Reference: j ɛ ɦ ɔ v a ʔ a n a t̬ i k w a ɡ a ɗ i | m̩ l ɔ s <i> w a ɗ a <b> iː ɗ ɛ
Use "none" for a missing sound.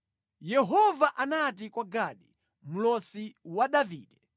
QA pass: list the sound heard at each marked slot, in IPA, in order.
i, v

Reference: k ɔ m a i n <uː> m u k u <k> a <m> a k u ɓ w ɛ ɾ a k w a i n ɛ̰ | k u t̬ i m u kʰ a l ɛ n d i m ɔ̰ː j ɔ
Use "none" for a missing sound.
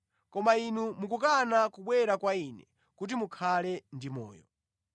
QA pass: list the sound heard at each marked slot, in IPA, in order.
u, k, n

